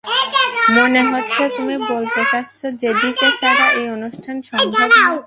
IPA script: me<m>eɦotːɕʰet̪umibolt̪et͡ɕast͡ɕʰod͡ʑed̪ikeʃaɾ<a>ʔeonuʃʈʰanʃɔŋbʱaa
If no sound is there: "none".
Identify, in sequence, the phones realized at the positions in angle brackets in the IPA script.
n, a

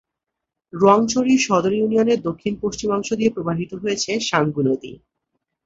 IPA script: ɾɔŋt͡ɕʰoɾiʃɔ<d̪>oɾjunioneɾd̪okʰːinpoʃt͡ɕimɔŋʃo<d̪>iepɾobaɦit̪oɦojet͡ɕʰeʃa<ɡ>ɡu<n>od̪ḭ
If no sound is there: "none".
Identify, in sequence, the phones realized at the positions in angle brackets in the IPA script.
d̪, d̪, ŋ, n

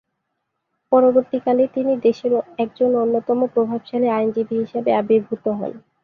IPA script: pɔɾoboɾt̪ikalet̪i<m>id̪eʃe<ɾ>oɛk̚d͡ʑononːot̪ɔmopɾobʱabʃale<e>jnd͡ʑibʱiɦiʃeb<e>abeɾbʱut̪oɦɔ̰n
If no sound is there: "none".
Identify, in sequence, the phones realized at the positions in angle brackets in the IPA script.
n, ɾ, a, e

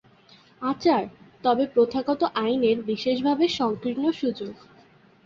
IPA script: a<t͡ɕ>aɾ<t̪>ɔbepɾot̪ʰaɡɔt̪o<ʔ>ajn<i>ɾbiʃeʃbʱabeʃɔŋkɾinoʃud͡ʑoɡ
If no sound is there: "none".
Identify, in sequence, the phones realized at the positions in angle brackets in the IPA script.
t͡ɕ, t̪, ʔ, e

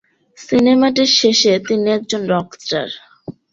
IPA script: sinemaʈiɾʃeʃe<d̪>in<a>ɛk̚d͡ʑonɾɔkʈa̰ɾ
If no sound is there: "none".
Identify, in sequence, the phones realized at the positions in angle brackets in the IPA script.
t̪, i

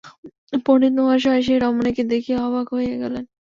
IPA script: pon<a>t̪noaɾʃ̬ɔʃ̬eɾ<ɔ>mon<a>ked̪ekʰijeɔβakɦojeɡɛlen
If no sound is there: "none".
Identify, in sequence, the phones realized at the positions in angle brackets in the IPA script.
i, ɔ, e

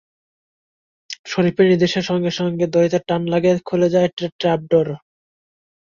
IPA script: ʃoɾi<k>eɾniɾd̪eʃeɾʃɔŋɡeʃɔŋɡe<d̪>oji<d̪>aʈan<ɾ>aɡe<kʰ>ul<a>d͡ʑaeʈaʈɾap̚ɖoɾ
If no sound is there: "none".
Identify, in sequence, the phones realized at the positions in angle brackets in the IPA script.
p, d̪, t̪, l, kʰ, e

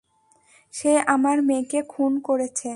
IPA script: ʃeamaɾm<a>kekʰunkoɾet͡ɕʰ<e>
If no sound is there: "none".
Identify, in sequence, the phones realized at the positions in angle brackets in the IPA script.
e, e

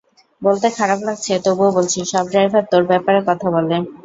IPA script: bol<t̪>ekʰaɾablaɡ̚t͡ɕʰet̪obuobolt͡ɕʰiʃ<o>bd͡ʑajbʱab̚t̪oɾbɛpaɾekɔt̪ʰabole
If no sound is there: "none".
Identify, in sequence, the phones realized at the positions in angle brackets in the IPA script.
t̪, ɔ

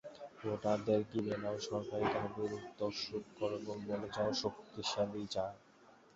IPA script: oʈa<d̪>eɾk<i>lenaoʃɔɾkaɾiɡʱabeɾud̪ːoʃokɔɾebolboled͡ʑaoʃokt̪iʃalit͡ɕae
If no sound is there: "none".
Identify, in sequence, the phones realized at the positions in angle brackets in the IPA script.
d̪, i

